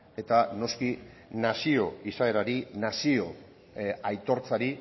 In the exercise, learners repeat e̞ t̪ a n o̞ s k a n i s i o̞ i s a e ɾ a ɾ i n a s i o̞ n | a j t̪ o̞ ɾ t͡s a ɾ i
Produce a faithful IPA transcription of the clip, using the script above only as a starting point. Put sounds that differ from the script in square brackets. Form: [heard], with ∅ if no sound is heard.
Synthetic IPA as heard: e̞ t̪ a n o̞ s k [i] n [a] s i o̞ i s a e ɾ a ɾ i n a s i o̞ [∅] | a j t̪ o̞ ɾ t͡s a ɾ i